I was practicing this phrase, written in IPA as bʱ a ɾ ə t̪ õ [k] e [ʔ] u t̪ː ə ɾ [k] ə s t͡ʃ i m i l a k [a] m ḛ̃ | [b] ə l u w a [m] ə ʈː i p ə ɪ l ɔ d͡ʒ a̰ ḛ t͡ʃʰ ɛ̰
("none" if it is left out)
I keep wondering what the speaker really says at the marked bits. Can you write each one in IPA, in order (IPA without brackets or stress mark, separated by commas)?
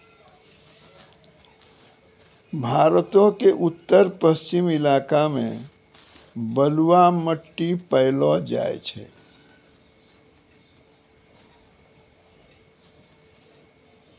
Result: k, ʔ, p, a, b, m